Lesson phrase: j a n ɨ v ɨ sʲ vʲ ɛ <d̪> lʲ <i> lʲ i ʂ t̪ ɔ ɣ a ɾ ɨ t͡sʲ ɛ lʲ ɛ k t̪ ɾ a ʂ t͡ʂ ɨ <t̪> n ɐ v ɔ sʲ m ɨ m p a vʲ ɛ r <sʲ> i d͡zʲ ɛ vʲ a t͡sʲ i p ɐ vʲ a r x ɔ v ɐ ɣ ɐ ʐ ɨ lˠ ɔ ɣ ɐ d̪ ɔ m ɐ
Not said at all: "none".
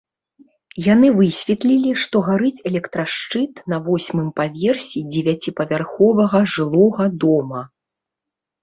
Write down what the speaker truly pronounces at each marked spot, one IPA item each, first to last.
t̪, i, t̪, sʲ

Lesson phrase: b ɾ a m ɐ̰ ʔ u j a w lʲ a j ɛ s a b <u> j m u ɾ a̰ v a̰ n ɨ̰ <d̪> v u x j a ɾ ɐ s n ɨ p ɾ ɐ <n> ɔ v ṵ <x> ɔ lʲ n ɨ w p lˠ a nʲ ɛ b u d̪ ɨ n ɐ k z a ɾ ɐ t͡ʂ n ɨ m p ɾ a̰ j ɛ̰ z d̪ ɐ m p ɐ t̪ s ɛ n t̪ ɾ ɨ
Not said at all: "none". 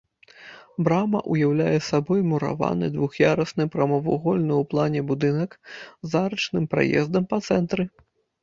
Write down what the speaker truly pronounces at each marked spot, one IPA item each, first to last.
ɔ, d̪, m, ɣ

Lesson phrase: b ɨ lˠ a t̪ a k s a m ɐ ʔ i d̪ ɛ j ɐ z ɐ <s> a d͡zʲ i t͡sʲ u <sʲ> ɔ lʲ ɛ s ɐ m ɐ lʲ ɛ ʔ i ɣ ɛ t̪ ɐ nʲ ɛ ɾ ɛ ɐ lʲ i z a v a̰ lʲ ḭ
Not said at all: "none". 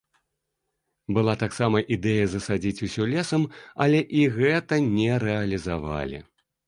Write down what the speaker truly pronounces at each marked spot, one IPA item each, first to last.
s, sʲ

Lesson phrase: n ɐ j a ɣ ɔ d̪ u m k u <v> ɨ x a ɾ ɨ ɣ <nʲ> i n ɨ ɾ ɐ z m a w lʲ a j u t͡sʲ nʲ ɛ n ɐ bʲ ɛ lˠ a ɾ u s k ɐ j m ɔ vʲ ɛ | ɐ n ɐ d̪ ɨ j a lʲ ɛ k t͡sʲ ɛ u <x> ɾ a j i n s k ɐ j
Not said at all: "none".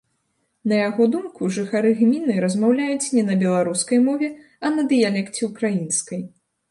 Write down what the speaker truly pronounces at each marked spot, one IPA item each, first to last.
ʐ, mʲ, k

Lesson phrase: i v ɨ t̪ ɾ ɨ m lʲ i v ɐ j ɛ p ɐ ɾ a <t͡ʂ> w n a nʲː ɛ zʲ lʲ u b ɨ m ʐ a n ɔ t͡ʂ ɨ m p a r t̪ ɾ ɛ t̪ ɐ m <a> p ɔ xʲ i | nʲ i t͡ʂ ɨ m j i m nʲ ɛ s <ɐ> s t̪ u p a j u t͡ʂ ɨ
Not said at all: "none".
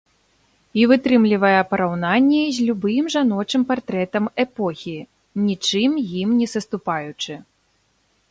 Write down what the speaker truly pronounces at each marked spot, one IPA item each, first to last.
none, ɛ, ɐ

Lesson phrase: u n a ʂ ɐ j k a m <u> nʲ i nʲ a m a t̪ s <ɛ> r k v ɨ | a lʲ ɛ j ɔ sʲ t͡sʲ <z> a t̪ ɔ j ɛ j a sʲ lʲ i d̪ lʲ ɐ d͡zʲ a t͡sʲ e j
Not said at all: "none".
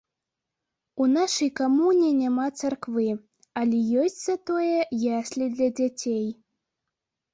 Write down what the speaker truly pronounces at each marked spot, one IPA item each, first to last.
u, a, z

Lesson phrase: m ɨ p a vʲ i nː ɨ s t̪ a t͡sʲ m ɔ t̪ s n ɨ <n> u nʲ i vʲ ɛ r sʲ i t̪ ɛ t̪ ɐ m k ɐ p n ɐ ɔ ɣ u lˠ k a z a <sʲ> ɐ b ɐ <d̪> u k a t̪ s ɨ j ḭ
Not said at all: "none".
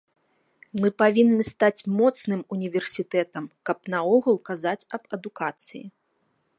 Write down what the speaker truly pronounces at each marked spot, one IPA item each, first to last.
m, t͡sʲ, d̪

